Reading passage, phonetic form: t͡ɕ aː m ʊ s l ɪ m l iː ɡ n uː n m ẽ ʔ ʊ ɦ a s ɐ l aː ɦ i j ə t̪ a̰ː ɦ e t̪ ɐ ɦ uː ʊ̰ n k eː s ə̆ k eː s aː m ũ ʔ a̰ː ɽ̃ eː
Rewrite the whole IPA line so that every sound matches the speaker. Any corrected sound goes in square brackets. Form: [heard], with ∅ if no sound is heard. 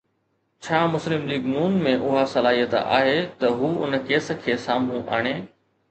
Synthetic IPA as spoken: [t͡ɕʰ] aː m ʊ s l ɪ m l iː ɡ n uː n m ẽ ʔ ʊ ɦ a s ɐ l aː ɦ i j ə t̪ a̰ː ɦ e t̪ ɐ ɦ uː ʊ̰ n k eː s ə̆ [kʰ] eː s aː m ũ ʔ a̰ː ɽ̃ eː